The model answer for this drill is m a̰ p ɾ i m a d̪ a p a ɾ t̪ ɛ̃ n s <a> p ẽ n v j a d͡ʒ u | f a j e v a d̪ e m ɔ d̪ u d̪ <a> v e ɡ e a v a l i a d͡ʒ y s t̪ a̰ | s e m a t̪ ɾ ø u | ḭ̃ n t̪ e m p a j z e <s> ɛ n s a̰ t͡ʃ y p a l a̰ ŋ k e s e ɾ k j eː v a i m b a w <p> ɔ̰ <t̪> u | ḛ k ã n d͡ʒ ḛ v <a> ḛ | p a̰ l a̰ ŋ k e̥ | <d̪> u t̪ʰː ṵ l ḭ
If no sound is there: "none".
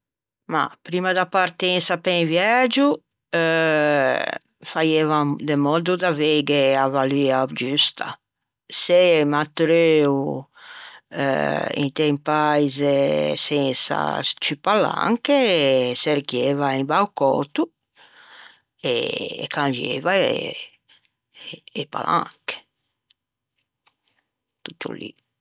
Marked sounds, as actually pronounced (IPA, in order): a, a, s, k, t̪, a, t̪

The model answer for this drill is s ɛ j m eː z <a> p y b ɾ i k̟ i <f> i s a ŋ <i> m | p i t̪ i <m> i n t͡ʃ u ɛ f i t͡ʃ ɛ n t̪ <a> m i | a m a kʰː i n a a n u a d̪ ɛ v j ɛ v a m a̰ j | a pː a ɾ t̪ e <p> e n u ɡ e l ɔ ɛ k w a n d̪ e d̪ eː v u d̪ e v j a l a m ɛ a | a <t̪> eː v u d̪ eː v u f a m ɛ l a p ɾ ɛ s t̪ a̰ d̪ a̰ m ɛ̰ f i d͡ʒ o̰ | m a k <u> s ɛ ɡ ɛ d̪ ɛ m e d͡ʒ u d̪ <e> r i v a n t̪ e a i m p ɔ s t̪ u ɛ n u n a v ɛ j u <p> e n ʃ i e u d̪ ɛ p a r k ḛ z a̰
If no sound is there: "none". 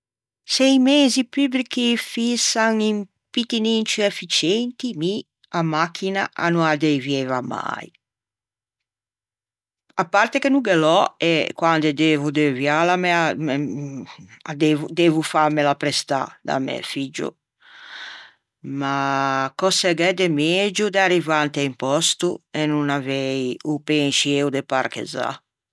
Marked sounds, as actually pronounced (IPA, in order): i, f, i, n, i, k, d̪, ɔ, a, p

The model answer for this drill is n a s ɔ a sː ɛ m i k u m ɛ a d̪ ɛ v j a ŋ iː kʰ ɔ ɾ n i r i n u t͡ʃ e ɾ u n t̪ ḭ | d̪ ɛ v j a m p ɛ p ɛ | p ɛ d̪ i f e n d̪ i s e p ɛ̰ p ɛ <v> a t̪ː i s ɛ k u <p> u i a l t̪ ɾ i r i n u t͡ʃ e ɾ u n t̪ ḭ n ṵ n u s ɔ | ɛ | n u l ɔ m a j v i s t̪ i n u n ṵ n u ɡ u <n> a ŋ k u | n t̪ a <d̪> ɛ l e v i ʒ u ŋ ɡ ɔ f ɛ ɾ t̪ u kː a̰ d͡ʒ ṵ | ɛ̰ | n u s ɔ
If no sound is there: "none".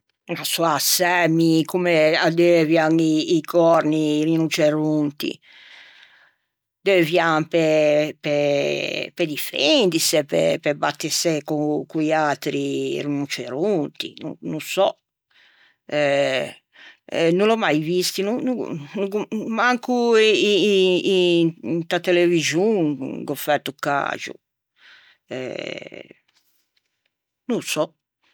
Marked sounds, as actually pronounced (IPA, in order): b, k, m, t̪

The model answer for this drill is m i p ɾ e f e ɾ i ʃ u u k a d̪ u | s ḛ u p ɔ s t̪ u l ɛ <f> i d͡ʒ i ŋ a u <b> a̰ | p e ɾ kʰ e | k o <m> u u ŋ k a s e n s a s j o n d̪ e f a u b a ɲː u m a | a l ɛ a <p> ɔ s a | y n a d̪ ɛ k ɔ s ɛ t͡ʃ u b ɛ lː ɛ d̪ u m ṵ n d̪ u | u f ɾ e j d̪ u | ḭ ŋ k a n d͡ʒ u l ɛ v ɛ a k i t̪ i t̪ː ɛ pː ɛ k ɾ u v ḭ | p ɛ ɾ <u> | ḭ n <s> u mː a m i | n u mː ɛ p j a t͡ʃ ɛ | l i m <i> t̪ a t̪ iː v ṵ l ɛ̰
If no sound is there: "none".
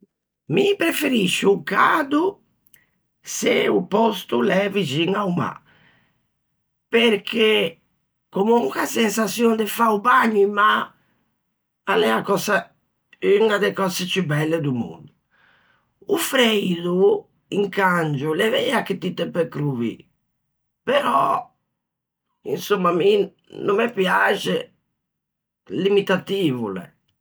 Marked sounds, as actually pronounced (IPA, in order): v, m, m, k, ɔ, s, i

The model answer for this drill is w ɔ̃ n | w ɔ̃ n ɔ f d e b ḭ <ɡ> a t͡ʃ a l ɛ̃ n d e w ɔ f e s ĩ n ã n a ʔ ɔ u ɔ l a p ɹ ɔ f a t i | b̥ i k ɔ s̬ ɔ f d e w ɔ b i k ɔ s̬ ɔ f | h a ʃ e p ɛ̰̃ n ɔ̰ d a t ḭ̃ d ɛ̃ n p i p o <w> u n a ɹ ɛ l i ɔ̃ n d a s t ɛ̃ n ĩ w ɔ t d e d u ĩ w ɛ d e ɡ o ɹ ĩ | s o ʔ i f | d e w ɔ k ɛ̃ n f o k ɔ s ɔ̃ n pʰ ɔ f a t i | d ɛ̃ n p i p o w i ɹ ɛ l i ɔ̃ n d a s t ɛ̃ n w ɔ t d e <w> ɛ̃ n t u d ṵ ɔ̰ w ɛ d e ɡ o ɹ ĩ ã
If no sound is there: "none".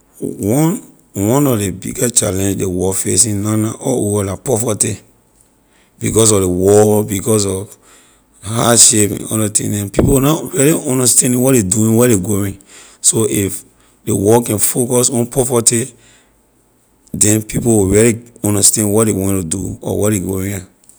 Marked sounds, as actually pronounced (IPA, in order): ɡ, w, w

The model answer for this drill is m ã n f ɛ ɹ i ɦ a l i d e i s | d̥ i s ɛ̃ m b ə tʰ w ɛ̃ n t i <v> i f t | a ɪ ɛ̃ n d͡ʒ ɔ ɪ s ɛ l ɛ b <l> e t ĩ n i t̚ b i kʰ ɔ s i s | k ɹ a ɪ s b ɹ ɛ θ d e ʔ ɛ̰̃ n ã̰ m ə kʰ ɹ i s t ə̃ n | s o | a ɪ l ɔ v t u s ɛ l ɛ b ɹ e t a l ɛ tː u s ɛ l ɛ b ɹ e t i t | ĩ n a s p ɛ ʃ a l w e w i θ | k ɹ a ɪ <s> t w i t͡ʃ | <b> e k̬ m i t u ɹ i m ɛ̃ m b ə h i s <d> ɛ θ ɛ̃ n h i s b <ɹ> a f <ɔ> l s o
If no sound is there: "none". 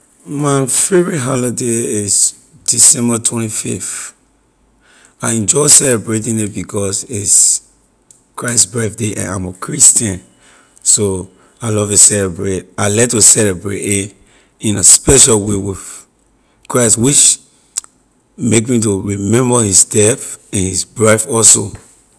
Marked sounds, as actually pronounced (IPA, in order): f, ɹ, s, m, d, ɹ, ɔ

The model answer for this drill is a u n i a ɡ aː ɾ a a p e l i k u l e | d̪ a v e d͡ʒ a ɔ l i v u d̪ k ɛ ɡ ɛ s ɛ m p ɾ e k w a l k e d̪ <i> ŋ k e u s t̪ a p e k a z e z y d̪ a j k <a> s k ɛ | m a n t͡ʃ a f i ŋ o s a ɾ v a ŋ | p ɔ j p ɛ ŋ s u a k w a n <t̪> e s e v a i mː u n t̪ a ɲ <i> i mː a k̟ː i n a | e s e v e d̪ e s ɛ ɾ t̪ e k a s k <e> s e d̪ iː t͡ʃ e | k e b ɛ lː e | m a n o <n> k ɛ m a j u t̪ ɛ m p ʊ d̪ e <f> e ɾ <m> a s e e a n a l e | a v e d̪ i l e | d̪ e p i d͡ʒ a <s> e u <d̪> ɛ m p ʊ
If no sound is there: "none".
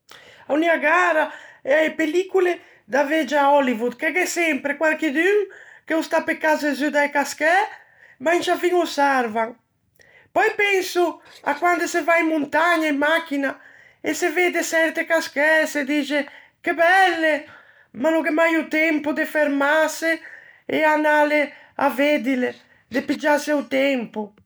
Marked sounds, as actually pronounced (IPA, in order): y, a, d̪, a, ɛ, ŋ, f, m, s, t̪

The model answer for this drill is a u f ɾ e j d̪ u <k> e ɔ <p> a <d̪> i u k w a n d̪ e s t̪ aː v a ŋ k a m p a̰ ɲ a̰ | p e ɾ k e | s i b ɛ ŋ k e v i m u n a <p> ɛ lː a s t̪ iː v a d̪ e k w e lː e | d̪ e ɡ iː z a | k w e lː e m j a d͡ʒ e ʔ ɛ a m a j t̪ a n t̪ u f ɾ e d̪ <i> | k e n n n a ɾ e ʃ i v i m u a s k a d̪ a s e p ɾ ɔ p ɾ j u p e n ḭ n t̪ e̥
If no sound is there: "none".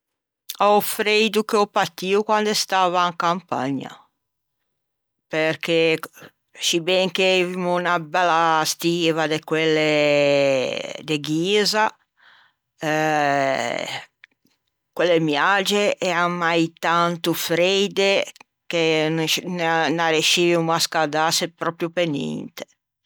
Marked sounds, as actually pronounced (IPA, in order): k, p, t̪, b, e

